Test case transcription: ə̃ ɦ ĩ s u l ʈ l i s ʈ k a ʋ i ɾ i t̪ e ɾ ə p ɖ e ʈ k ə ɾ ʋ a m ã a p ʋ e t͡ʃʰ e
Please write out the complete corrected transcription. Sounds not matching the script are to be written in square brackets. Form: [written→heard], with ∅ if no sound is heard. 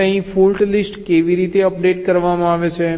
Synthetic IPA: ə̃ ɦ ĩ [s→f] u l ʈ l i s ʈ k [a→e] ʋ i ɾ i t̪ e [ɾ→∅] ə p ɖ e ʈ k ə ɾ ʋ a m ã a [p→∅] ʋ e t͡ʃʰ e

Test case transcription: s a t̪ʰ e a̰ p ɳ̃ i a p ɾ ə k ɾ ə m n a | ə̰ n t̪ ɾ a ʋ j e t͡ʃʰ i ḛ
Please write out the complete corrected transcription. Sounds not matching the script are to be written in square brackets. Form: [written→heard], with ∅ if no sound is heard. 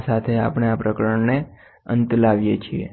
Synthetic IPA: s a t̪ʰ e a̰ p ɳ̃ [i→e] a p ɾ ə k ɾ ə [m→ɳ] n [a→e] | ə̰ n t̪ [ɾ→l] a ʋ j e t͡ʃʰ i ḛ

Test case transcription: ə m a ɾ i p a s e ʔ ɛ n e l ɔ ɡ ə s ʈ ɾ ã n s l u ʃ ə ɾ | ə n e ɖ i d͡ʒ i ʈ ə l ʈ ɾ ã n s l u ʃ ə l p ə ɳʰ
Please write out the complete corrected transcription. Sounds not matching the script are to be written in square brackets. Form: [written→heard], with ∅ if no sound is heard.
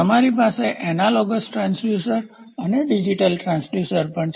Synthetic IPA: ə m a ɾ i p a s e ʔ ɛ n [e→a] l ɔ ɡ ə s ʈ ɾ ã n s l u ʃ ə ɾ | ə n e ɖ i d͡ʒ i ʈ ə l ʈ ɾ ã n s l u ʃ ə [l→ɾ] p ə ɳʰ

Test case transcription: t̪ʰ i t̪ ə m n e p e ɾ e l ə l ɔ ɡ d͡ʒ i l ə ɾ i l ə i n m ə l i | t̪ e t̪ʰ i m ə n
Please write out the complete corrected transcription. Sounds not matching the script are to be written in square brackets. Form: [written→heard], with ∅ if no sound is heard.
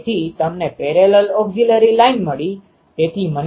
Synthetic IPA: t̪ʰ i t̪ ə m n e p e ɾ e l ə l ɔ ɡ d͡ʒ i l ə ɾ i l [ə→a] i n m ə [l→ɭ] i | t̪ e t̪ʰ i m ə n

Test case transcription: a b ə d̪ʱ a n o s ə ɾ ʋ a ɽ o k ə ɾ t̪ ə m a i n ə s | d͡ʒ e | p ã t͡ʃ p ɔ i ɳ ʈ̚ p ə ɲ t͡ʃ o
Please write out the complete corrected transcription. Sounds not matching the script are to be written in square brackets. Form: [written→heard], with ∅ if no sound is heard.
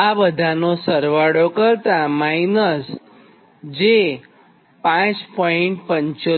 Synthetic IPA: a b ə d̪ʱ a n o s ə ɾ ʋ a ɽ o k ə ɾ t̪ [ə→a] m a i n ə s | d͡ʒ e | p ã t͡ʃ p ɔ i ɳ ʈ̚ p ə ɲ t͡ʃ o

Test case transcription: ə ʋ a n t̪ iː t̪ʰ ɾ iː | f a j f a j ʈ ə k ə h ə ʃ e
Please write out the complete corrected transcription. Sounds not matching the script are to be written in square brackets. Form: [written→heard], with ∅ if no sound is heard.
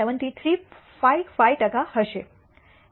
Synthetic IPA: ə ʋ [a→ə] n t̪ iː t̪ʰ ɾ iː | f a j f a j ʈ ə k [ə→a] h ə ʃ e

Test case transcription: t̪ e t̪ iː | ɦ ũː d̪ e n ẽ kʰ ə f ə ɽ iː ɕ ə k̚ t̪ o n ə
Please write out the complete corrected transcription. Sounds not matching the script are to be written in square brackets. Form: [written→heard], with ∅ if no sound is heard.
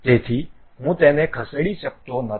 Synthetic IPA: t̪ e [t̪→t̪ʰ] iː | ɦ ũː [d̪→t̪] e n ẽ kʰ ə [f→s] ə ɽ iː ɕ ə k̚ t̪ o n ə

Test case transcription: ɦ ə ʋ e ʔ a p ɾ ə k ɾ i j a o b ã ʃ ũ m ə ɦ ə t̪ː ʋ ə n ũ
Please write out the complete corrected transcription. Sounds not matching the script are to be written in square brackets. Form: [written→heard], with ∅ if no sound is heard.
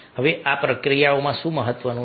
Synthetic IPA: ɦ ə ʋ e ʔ a p ɾ ə k ɾ i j a o [b→m] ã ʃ ũ m ə ɦ ə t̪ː ʋ ə n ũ

